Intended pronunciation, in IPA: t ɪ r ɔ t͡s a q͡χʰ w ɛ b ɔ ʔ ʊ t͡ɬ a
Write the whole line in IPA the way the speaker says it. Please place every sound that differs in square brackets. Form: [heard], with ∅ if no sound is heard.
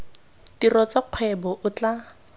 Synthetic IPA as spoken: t [i] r ɔ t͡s a q͡χʰ w ɛ b ɔ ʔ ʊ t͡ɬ a